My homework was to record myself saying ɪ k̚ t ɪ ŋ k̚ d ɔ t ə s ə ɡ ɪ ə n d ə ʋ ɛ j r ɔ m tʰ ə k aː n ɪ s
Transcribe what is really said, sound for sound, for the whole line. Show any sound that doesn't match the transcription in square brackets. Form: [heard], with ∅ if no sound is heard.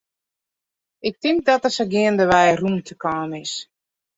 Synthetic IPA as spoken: ɪ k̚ t ɪ ŋ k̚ d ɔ t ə s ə ɡ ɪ ə n d ə ʋ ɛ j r [u] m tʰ ə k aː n ɪ s